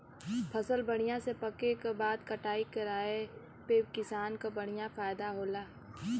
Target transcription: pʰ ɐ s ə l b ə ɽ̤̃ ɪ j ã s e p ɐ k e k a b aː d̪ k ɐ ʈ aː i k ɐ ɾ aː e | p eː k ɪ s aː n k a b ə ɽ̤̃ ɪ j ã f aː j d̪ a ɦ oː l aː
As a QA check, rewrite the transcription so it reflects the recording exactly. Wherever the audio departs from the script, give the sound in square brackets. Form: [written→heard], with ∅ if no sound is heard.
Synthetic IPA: pʰ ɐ s ə l b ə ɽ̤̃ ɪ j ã s e p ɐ k e k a b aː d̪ k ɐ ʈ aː i k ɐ ɾ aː e | p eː k ɪ s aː n k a b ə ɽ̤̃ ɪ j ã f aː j d̪ a ɦ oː l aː